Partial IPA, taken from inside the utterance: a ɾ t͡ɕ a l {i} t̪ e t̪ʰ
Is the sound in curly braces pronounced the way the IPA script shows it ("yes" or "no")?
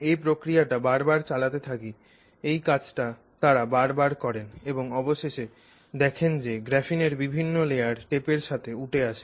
no